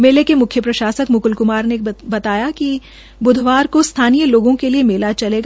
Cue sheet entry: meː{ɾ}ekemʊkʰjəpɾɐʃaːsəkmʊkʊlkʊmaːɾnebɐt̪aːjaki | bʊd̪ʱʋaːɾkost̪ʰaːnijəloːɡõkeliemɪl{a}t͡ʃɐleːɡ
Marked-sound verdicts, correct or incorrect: incorrect: l, correct

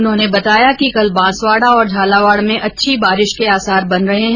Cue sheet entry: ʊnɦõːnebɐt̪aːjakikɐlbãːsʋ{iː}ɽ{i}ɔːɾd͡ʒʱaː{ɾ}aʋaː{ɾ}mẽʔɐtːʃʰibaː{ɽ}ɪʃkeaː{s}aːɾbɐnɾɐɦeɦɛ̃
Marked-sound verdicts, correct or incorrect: incorrect: aː, incorrect: a, incorrect: l, incorrect: ɽ, incorrect: ɾ, correct

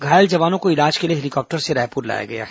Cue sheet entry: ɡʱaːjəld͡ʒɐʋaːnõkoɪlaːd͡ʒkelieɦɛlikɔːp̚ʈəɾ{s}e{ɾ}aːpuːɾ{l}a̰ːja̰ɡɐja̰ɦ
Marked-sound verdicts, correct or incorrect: correct, correct, correct

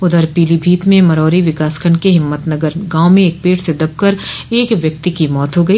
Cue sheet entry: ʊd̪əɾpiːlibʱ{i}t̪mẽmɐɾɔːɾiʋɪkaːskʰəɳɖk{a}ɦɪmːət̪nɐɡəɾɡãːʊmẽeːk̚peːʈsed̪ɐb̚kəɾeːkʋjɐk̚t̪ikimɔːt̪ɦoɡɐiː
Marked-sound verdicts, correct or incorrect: incorrect: iː, incorrect: e

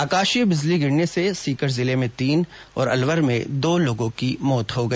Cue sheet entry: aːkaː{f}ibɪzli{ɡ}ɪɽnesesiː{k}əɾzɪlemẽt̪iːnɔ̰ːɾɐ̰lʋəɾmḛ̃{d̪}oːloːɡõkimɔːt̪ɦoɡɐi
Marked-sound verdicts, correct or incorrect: incorrect: ʃ, correct, correct, correct

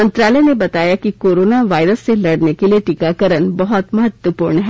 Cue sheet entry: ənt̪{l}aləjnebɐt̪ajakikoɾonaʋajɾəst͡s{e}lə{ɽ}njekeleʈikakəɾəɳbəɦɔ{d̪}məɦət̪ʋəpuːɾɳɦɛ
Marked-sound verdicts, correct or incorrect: incorrect: ɾ, correct, correct, incorrect: t̪

